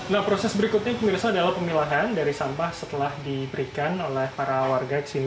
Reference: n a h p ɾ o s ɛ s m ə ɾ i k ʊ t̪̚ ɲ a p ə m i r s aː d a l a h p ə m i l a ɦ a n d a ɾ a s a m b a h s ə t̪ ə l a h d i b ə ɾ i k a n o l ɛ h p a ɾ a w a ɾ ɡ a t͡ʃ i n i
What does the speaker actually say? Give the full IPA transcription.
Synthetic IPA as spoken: n a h p ɾ o s ɛ s b ə ɾ i k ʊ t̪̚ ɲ a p ə m i r s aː d a l a h p ə m i l a ɦ a n d a ɾ i s a m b a h s ə t̪ ə l a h d i b ə ɾ i k a n o l ɛ h p a ɾ a w a r ɡ a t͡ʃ i n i